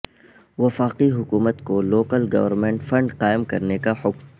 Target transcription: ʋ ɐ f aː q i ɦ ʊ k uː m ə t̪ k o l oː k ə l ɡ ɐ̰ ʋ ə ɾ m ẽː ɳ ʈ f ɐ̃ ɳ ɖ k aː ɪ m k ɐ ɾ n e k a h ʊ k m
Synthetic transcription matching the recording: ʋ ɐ f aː q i ɦ ʊ k uː m ə t̪ k o l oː k ə l ɡ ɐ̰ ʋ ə ɾ m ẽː ɳ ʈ f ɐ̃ ɳ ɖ q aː ɪ m k ɐ ɾ n e k a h ʊ k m